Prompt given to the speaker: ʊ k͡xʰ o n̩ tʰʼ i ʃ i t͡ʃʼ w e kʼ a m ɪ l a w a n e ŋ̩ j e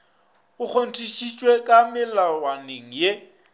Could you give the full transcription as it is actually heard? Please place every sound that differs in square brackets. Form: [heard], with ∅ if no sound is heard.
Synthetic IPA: ʊ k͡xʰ o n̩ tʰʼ i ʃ i t͡ʃʼ w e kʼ a m ɪ l a w a n e ŋ̩ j e